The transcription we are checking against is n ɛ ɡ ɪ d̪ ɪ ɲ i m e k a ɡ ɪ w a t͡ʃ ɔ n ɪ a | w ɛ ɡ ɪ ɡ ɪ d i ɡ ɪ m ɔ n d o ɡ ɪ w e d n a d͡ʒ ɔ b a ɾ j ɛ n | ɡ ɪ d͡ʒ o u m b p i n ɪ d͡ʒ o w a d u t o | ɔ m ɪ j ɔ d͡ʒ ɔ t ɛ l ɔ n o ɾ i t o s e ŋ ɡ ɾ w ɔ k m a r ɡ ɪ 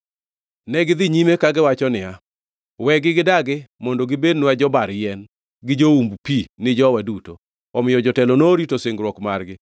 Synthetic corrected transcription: n ɛ ɡ ɪ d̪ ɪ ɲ i m e k a ɡ ɪ w a t͡ʃ ɔ n ɪ a | w ɛ ɡ ɪ ɡ ɪ d a ɡ ɪ m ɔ n d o ɡ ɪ b e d n a d͡ʒ ɔ b a ɾ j ɛ n | ɡ ɪ d͡ʒ o u m b p i n ɪ d͡ʒ ɔ w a d u t o | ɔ m ɪ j ɔ d͡ʒ ɔ t ɛ l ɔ n o ɾ i t o s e ŋ ɡ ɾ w ɔ k m a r ɡ ɪ